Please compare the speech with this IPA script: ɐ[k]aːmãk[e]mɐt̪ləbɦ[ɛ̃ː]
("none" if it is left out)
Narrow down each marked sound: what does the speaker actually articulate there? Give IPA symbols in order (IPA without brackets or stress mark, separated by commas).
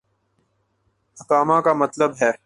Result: k, a, ɛː